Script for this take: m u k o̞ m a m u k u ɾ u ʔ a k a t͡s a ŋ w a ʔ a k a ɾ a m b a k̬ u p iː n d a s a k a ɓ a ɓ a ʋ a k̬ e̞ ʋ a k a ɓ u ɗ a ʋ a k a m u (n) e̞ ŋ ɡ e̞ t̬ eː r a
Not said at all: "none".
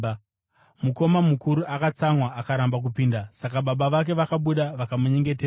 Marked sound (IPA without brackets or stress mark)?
ɲ